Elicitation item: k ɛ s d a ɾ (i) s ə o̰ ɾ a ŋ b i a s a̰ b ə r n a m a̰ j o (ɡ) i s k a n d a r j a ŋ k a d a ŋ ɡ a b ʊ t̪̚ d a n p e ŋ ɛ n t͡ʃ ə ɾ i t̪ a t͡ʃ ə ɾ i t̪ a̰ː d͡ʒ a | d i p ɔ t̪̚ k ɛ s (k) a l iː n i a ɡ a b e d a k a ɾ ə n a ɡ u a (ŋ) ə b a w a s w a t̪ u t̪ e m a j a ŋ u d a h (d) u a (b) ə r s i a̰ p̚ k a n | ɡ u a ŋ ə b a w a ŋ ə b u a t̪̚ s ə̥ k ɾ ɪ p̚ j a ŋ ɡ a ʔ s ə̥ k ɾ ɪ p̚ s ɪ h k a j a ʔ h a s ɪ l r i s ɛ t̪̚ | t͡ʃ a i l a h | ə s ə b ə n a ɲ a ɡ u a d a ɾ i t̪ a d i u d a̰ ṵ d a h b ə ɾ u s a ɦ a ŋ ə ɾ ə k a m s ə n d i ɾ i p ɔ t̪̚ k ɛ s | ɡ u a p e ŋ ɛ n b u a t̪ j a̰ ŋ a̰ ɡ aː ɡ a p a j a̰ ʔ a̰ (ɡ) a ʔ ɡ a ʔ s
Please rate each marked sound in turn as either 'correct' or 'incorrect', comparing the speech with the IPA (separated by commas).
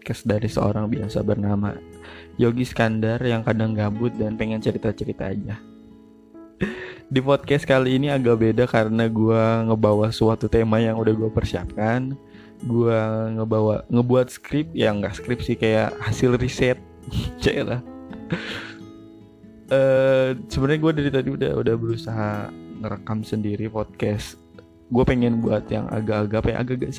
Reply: correct, correct, correct, correct, incorrect, incorrect, correct